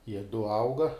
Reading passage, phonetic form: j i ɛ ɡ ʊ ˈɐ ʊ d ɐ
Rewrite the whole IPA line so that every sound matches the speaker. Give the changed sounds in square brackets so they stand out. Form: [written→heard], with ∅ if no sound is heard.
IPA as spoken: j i ɛ [ɡ→d] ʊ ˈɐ ʊ [d→ɡ] ɐ